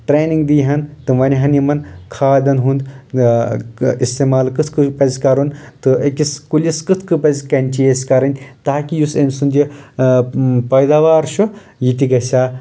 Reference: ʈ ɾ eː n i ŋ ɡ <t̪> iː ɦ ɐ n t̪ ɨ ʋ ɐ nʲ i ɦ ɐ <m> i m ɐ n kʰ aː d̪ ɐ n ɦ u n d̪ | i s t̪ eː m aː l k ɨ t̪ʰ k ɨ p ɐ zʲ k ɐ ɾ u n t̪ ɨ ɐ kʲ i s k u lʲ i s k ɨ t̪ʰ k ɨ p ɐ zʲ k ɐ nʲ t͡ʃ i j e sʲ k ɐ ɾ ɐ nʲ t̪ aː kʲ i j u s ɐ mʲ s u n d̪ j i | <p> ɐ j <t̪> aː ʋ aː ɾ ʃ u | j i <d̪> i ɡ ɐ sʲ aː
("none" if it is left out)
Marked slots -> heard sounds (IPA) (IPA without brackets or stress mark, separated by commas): d̪, n, p, d̪, t̪